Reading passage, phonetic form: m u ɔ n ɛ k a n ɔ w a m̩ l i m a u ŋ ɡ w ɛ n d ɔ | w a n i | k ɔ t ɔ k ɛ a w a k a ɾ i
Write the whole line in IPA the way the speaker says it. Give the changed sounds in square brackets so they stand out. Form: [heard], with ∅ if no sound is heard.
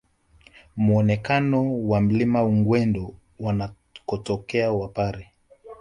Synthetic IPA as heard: m u ɔ n ɛ k a n ɔ w a m̩ l i m a u ŋ ɡ w ɛ n d ɔ | w a n [a] | k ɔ t ɔ k ɛ a w a [p] a ɾ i